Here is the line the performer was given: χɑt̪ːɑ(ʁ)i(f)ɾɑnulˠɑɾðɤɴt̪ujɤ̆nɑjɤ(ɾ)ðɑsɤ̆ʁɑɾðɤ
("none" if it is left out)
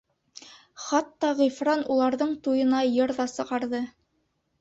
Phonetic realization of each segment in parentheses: ʁ, f, ɾ

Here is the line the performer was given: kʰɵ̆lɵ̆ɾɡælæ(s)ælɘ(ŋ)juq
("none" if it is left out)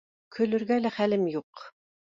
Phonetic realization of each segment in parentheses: χ, m

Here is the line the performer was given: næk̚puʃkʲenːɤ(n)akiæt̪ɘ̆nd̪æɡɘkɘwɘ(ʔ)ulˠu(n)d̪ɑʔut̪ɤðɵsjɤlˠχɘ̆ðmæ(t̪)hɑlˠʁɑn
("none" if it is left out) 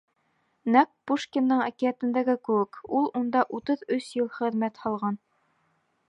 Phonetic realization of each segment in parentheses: ɴ, k, n, t̪

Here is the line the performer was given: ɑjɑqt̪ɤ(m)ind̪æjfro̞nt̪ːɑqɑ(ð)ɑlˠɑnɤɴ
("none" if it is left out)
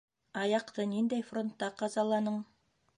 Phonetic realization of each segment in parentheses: n, z

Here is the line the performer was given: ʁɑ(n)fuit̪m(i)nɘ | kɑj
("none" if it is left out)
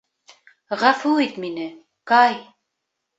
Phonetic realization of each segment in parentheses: none, i

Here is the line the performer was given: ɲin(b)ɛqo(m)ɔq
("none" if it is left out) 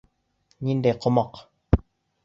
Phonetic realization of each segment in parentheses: d, m

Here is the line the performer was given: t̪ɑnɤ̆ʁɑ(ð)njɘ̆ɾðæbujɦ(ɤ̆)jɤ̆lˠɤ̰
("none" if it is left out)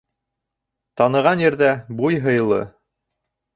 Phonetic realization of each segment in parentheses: none, ɤ̆

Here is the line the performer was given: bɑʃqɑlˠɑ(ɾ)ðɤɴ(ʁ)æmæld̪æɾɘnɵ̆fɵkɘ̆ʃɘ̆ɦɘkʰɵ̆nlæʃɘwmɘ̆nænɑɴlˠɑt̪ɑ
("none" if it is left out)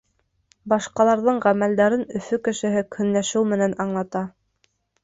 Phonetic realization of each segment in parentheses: ɾ, ʁ

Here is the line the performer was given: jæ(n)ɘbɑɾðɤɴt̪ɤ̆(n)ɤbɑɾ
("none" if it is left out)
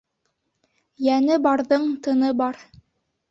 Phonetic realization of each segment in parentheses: n, n

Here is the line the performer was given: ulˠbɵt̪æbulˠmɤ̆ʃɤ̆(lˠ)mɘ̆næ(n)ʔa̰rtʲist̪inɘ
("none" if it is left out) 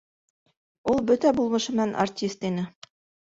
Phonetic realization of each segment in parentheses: none, n

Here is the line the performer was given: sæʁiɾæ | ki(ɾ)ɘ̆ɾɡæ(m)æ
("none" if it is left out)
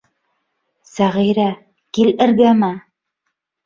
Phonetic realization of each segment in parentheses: l, m

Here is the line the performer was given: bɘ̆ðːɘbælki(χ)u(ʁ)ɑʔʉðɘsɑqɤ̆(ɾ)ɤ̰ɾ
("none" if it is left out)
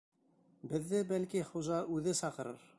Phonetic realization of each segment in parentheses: χ, ʒ, ɾ

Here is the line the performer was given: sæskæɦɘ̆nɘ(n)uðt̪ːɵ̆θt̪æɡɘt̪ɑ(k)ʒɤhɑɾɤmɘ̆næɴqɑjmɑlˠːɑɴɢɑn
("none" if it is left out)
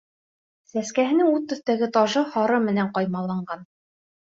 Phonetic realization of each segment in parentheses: ŋ, none

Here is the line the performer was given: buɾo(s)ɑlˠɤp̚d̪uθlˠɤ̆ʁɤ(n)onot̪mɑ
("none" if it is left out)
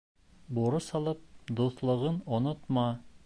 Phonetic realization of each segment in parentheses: s, n

